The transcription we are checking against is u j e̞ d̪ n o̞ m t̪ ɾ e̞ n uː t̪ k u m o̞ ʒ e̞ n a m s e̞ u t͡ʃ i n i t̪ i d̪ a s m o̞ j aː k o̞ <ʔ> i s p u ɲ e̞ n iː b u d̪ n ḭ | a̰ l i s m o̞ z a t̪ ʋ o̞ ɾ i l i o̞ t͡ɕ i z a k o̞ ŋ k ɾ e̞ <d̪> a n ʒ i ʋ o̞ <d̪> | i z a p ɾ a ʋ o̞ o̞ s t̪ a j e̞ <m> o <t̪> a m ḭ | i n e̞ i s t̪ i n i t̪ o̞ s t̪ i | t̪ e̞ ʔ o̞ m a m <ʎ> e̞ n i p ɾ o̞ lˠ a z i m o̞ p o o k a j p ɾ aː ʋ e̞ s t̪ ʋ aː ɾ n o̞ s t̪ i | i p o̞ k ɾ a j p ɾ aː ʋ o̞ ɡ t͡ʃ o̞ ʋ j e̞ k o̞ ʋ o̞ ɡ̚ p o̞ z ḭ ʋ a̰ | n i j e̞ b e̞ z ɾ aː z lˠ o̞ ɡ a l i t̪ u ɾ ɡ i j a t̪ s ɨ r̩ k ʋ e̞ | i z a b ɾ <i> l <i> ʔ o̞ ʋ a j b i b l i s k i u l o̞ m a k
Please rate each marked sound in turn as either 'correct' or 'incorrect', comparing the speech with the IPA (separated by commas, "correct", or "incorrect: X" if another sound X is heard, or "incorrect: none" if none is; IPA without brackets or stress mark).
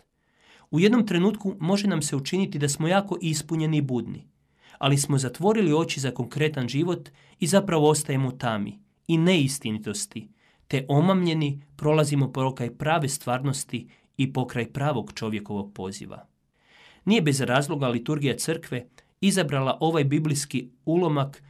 correct, incorrect: t̪, incorrect: t̪, correct, correct, correct, incorrect: a, incorrect: a